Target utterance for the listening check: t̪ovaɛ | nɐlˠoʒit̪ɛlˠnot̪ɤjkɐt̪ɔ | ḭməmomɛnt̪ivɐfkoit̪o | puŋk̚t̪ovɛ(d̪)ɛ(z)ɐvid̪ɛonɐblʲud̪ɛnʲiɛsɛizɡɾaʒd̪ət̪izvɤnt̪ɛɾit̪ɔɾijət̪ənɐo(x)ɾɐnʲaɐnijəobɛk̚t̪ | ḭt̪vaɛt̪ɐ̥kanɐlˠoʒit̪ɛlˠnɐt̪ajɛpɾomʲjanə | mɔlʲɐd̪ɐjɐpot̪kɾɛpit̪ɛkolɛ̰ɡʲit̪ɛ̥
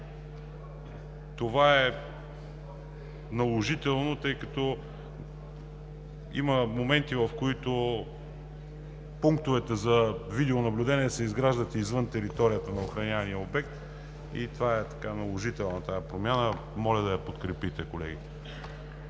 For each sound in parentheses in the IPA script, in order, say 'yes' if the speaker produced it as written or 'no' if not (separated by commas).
no, yes, yes